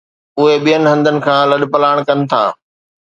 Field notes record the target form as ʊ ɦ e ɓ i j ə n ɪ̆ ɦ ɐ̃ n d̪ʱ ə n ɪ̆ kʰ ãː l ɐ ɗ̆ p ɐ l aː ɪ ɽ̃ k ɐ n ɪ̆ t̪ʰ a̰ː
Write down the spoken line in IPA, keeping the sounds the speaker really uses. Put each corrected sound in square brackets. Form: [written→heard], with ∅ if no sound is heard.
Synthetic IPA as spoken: ʊ ɦ e ɓ i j ə n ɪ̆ ɦ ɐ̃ n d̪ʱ ə n ɪ̆ kʰ ãː l ɐ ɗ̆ p ɐ l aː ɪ ɽ̃ k ɐ n ɪ̆ t̪ʰ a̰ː